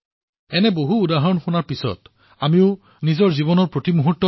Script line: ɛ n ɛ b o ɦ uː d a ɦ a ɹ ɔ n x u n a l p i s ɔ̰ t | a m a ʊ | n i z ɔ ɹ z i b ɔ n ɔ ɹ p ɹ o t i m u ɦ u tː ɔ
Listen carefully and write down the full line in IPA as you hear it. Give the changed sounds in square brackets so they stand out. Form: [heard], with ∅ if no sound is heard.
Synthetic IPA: ɛ n ɛ b o ɦ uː d a ɦ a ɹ ɔ n x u n a [ɹ] p i s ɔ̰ t | a m [i] ʊ | n i z ɔ ɹ z i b ɔ n ɔ ɹ p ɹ o t i m u ɦ u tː ɔ